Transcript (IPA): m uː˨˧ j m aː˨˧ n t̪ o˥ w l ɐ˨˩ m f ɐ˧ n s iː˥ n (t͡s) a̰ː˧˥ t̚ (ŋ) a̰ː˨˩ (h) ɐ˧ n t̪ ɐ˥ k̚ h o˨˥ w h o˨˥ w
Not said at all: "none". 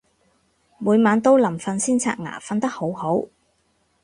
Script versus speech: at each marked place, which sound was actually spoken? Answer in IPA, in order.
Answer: t͡sʰ, ŋ, f

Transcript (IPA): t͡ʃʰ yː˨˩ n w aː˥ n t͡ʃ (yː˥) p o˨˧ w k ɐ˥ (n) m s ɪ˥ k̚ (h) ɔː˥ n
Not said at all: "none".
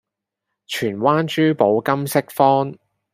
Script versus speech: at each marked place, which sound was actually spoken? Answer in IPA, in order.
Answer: yː˥, none, f

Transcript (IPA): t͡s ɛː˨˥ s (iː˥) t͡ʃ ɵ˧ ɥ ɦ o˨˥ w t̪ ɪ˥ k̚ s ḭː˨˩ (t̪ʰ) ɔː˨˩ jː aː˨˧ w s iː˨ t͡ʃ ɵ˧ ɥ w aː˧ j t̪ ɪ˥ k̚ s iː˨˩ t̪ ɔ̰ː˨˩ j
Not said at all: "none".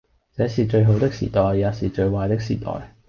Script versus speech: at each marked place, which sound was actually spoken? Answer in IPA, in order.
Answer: iː˨˩, t̪

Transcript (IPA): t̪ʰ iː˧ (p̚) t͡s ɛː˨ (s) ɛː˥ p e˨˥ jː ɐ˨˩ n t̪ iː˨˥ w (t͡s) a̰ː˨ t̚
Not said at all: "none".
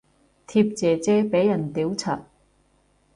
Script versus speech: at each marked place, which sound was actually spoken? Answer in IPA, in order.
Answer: p̚, t͡s, t͡sʰ

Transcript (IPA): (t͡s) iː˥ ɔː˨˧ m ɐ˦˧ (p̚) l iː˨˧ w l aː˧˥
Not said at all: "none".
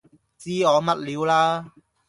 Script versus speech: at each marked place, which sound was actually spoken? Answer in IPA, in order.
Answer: t͡s, t̚

